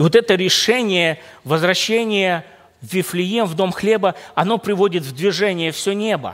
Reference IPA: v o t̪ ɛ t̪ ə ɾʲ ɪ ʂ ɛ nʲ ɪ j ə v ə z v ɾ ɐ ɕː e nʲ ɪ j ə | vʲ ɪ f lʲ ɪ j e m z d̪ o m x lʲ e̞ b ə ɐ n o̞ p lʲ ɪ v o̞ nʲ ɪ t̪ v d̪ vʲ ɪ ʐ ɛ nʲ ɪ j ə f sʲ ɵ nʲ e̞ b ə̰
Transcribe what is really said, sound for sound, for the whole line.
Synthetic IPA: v o t̪ ɛ t̪ ə ɾʲ ɪ ʂ ɛ nʲ ɪ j ə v ə z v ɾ ɐ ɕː e nʲ ɪ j ə | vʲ ɪ f lʲ ɪ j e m v d̪ o m x lʲ e̞ b ə ɐ n o̞ p ɾʲ ɪ v o̞ dʲ ɪ t̪ v d̪ vʲ ɪ ʐ ɛ nʲ ɪ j ə f sʲ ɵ nʲ e̞ b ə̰